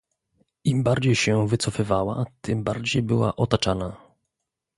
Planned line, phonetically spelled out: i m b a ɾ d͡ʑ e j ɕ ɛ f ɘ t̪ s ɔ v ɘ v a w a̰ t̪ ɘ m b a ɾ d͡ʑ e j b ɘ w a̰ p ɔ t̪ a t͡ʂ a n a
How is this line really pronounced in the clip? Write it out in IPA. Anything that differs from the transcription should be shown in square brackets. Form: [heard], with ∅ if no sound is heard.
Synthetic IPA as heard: i m b a ɾ d͡ʑ e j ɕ ɛ [v] ɘ t̪ s ɔ [f] ɘ v a w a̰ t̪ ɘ m b a ɾ d͡ʑ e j b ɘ w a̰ [ʔ] ɔ t̪ a t͡ʂ a n a